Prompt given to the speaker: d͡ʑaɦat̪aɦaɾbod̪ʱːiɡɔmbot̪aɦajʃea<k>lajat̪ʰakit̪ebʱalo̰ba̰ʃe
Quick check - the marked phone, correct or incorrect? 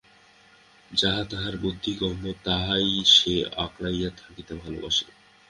correct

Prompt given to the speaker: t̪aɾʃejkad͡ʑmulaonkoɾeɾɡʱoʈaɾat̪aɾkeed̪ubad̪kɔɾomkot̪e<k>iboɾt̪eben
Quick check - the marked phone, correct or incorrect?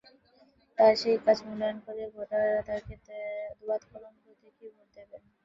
correct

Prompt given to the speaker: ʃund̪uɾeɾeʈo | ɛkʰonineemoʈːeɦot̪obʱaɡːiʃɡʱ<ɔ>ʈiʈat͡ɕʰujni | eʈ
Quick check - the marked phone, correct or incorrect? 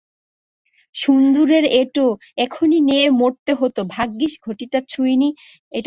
incorrect: o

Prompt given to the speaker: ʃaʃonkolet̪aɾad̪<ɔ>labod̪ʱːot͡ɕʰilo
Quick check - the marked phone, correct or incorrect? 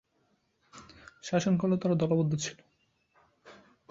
correct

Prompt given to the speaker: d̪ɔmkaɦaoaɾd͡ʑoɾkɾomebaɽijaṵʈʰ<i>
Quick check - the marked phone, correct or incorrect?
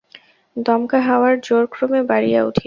correct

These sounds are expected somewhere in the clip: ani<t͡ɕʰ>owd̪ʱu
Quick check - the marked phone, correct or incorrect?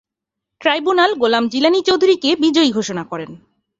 incorrect: t͡ɕ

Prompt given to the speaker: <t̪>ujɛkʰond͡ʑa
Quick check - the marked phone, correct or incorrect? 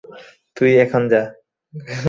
correct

